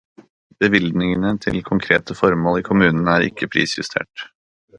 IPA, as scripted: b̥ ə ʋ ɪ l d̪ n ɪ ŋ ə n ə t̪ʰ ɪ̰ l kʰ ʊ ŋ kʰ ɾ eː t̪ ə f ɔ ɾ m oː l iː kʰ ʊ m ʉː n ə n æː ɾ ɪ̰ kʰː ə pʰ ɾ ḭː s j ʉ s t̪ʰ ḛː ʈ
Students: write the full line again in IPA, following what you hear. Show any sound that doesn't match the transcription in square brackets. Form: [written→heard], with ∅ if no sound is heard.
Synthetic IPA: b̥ ə ʋ ɪ l d̪ n ɪ ŋ ə n ə t̪ʰ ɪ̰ l kʰ ʊ ŋ kʰ ɾ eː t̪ ə f ɔ ɾ m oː l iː kʰ ʊ m ʉː n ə n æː ɾ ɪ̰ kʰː ə pʰ ɾ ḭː s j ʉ s t̪ʰ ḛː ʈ